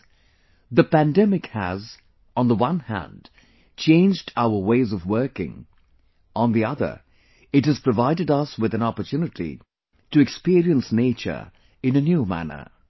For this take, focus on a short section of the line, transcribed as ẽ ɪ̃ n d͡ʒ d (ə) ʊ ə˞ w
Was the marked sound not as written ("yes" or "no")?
yes